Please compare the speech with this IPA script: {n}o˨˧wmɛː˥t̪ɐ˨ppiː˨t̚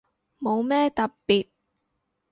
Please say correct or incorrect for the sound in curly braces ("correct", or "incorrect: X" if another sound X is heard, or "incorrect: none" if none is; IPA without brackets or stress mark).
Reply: incorrect: m